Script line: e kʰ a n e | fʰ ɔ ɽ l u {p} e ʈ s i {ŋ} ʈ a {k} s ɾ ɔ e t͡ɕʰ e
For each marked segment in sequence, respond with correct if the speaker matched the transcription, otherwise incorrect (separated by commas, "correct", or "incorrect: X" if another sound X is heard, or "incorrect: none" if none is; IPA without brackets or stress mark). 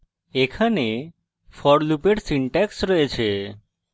correct, incorrect: ɳ, correct